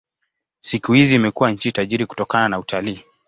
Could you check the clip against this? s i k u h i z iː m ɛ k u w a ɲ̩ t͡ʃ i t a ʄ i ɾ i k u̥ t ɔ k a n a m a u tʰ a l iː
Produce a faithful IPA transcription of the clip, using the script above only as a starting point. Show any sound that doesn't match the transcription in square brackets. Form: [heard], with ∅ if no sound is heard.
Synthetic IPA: s i k u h i z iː m ɛ k u w a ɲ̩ t͡ʃ i t a ʄ i ɾ i k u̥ t ɔ k a n a [n] a u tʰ a l iː